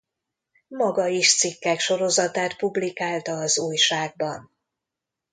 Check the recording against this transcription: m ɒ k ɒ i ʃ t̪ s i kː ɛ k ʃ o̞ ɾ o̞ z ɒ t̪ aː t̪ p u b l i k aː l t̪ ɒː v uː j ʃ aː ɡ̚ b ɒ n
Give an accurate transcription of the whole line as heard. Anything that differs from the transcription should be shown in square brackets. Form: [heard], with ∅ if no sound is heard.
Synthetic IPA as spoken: m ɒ [ɡ] ɒ i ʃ t̪ s i kː ɛ k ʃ o̞ ɾ o̞ z ɒ t̪ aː t̪ p u b l i k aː l t̪ ɒː [z] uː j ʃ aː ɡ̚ b ɒ n